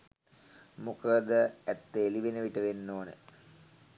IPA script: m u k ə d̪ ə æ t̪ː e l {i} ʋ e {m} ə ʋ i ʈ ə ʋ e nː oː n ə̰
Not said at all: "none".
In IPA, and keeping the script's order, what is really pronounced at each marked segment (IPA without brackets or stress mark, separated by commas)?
i, n